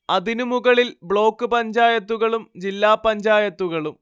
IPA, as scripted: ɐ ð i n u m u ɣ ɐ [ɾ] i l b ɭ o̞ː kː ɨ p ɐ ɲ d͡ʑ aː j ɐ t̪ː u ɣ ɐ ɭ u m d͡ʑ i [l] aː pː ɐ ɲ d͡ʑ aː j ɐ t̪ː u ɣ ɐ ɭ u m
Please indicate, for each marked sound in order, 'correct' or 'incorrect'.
incorrect, incorrect

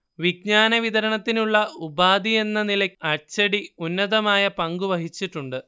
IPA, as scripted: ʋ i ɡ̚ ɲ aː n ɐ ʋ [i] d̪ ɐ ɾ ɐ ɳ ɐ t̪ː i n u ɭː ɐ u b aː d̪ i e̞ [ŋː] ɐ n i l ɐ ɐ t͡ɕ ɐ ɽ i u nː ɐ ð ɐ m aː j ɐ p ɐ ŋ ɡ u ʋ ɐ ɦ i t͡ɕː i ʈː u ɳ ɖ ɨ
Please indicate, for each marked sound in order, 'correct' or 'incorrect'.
correct, incorrect

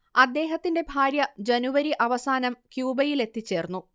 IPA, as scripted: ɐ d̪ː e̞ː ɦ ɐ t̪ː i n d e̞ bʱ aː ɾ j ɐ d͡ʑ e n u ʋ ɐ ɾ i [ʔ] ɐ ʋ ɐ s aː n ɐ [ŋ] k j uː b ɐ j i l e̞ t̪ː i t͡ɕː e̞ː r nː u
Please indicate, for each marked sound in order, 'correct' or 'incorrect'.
correct, incorrect

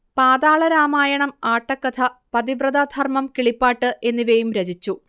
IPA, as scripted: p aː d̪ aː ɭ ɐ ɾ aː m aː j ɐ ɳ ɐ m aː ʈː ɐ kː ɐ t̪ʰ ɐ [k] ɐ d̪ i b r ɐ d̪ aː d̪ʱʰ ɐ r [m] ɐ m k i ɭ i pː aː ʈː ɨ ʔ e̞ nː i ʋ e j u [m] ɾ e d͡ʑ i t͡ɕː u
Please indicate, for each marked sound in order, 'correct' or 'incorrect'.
incorrect, correct, correct

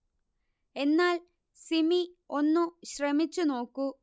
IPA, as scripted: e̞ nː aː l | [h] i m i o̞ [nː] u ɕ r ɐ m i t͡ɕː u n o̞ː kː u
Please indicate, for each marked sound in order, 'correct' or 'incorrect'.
incorrect, correct

